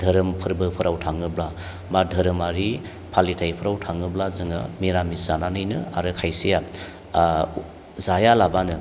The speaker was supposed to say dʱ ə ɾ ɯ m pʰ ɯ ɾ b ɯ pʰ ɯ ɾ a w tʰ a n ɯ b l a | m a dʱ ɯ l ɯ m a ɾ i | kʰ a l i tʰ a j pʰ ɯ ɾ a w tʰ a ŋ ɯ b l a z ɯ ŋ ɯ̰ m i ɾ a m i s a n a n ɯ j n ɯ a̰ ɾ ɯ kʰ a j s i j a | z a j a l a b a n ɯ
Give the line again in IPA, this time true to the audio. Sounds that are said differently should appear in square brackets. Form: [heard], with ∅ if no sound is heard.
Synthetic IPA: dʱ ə ɾ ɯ m pʰ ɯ ɾ b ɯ pʰ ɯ ɾ a w tʰ a [ŋ] ɯ b l a | m a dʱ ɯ [ɾ] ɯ m a ɾ i | [pʰ] a l i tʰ a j pʰ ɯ ɾ a w tʰ a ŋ ɯ b l a z ɯ ŋ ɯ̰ m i ɾ a m i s a n a n ɯ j n ɯ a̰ ɾ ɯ kʰ a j s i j a | z a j a l a b a n ɯ